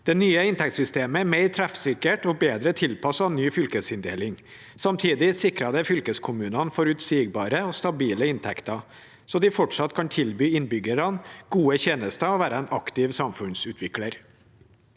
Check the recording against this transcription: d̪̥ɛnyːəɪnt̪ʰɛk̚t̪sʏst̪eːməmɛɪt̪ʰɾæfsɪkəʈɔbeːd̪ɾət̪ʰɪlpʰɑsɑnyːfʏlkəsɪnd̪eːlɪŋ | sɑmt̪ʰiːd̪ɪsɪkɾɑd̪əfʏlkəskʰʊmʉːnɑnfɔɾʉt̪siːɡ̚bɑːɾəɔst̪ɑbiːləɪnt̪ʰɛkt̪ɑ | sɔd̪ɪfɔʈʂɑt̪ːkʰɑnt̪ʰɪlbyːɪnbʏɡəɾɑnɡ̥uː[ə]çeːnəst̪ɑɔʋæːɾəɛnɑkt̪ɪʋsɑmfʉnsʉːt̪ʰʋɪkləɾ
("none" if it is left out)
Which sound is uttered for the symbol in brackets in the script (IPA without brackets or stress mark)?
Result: ə